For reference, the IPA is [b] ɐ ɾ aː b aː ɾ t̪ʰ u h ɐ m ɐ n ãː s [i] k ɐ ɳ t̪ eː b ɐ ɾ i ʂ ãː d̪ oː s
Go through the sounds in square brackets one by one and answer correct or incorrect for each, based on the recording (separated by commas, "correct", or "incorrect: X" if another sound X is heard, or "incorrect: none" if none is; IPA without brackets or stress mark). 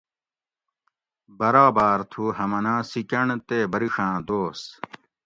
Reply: correct, correct